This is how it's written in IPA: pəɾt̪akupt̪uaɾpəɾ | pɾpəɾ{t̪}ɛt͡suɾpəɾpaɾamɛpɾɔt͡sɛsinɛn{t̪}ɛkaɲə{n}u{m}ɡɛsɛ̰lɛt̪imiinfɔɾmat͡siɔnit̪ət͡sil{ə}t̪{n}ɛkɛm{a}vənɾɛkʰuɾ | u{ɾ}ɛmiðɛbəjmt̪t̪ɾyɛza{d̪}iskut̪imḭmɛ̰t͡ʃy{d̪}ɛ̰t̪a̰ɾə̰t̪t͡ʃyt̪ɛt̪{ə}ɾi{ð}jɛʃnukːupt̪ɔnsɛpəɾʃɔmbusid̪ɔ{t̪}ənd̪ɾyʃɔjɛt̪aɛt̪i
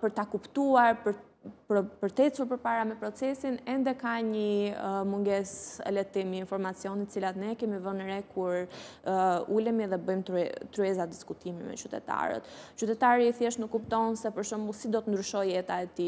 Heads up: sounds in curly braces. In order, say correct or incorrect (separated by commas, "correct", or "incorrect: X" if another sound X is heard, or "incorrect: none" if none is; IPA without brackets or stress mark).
correct, incorrect: d̪, incorrect: m, incorrect: ŋ, incorrect: a, correct, incorrect: i, incorrect: l, correct, incorrect: t̪, incorrect: a, incorrect: θ, correct